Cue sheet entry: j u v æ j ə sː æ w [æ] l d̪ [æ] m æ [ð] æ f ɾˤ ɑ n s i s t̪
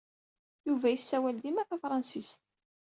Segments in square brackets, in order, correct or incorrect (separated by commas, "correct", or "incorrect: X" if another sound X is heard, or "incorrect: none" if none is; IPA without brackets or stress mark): correct, incorrect: i, incorrect: θ